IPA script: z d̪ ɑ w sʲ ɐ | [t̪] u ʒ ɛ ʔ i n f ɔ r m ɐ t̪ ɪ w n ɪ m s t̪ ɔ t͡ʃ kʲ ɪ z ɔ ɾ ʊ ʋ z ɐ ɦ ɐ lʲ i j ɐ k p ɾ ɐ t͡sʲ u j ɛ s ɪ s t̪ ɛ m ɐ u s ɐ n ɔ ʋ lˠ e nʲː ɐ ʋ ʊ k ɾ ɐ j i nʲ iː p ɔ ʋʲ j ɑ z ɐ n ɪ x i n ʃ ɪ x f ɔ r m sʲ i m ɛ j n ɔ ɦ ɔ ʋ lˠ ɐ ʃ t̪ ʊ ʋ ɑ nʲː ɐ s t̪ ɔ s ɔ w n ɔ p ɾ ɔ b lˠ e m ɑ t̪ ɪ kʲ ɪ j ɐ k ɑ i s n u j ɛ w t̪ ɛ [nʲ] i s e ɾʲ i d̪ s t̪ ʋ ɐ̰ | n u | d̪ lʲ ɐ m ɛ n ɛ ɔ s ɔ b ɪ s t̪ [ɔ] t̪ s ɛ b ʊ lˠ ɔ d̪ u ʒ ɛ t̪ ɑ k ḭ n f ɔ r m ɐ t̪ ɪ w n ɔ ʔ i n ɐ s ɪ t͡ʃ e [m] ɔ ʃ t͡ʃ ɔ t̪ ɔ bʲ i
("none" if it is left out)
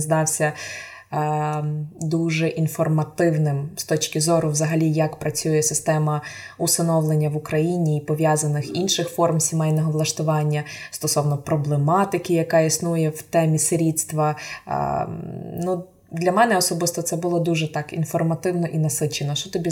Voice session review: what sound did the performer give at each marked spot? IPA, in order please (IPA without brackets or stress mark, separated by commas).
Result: d̪, mʲ, ɔ, n